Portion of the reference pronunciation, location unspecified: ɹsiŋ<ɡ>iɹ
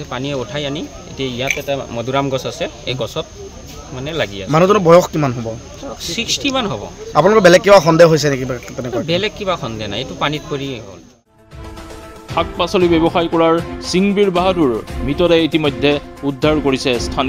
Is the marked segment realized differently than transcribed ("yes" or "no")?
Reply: yes